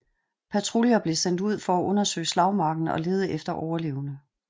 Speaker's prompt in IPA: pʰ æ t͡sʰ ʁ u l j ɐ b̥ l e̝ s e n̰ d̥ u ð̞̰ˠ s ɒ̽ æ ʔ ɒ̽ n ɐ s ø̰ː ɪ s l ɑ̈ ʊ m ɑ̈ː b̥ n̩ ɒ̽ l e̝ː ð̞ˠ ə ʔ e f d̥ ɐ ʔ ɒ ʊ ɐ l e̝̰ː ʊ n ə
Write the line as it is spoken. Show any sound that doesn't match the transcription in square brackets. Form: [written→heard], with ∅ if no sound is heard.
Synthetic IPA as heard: pʰ æ t͡sʰ ʁ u l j ɐ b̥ l e̝ s e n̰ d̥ u ð̞̰ˠ [s→f] ɒ̽ æ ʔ [ɒ̽→ɔ̽] n ɐ s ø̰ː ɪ s l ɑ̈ ʊ m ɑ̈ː [b̥→ɡ̥] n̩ ɒ̽ l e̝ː ð̞ˠ ə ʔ e f d̥ ɐ ʔ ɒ ʊ ɐ l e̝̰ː ʊ n ə